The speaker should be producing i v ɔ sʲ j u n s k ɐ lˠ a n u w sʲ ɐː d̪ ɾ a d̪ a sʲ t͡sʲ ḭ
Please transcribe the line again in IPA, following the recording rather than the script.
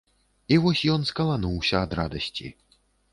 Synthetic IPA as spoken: i v ɔ sʲ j ɔ n s k ɐ lˠ a n u w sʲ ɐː d̪ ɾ a d̪ ɐ sʲ t͡sʲ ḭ